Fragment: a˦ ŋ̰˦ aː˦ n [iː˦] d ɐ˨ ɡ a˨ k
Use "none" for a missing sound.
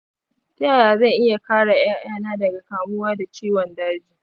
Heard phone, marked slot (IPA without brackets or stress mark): aː˦